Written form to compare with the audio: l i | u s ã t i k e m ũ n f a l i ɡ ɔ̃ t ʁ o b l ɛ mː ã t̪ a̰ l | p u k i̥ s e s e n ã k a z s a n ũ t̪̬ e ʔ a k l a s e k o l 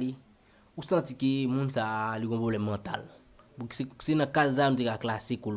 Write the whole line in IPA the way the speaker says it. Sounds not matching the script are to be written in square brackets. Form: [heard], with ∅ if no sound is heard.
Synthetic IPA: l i | u s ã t i k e m ũ n [s] a l i ɡ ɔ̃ [p] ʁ o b l ɛ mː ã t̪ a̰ l | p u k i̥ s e s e n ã k a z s a n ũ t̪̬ e [k] a k l a s e k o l